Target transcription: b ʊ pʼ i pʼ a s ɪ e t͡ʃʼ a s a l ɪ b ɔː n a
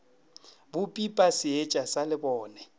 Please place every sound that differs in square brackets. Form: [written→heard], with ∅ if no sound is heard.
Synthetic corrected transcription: b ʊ pʼ i pʼ a s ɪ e t͡ʃʼ a s a l ɪ b ɔː n [a→ɛ]

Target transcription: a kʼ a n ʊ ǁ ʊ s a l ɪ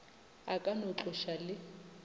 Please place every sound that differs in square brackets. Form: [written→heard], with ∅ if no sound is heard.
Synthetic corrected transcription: a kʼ a n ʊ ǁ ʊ [s→ʃ] a l ɪ

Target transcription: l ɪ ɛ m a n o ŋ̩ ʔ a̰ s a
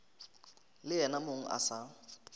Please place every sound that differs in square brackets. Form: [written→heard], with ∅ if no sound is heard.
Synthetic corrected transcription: l ɪ ɛ [m→n] a [n→m] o ŋ̩ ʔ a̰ s a

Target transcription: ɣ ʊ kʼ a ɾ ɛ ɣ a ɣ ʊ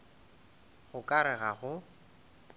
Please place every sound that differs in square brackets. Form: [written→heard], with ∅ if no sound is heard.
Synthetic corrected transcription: ɣ ʊ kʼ a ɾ ɛ ɣ a ɣ ʊ

